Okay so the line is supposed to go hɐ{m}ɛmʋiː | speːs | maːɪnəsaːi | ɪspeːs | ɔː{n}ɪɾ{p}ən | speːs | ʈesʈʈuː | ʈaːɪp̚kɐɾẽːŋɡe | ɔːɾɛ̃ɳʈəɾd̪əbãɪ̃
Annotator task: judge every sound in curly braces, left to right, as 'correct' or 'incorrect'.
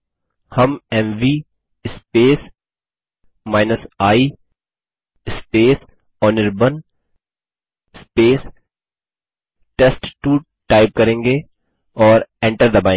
correct, correct, incorrect

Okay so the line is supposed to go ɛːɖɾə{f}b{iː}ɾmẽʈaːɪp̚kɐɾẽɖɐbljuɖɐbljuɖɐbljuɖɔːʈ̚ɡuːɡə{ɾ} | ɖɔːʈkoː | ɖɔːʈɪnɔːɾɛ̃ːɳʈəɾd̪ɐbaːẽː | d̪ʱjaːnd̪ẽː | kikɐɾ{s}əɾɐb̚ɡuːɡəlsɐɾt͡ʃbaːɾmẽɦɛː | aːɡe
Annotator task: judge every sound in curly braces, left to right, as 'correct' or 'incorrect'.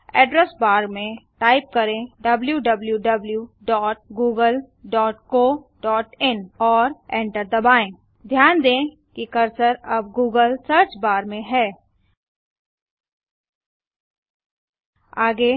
incorrect, incorrect, incorrect, correct

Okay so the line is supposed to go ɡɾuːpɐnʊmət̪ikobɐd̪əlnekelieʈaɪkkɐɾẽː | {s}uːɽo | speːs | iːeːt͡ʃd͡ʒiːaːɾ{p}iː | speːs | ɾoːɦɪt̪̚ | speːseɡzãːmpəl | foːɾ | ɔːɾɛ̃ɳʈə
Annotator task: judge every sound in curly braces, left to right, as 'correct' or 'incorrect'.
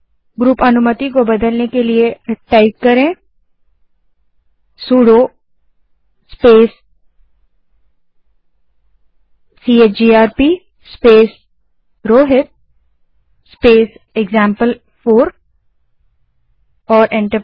correct, correct

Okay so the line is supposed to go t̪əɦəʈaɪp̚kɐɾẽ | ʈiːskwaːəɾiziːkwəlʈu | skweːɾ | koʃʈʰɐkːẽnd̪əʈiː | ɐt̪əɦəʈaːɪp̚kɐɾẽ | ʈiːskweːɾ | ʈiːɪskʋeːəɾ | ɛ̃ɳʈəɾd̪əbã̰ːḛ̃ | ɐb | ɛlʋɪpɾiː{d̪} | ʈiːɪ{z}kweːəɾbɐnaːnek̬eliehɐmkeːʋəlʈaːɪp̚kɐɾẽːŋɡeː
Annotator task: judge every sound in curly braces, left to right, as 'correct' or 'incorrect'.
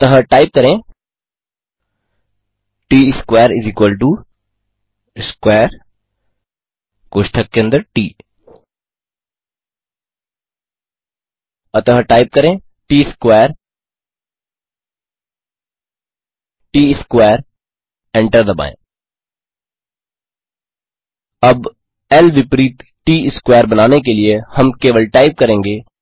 incorrect, incorrect

